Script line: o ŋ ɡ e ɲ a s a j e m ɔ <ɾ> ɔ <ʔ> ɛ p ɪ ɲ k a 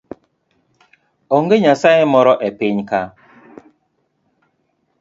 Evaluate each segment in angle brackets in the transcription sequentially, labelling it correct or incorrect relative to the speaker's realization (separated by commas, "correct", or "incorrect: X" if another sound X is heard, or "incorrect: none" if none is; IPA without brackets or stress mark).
correct, correct